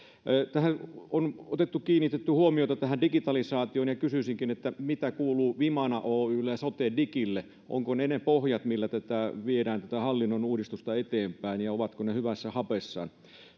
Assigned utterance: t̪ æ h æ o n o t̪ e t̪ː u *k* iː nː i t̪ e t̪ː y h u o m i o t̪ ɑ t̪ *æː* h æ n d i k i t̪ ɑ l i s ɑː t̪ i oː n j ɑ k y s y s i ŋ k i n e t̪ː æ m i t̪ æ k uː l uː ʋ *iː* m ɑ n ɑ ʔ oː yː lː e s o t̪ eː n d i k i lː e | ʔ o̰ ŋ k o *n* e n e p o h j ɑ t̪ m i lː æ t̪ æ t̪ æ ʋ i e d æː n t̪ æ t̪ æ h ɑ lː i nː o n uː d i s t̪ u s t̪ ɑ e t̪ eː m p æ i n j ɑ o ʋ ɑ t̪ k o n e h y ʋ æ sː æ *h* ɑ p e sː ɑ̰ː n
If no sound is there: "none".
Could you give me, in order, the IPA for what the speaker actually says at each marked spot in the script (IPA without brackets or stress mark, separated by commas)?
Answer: k, æ, i, n, h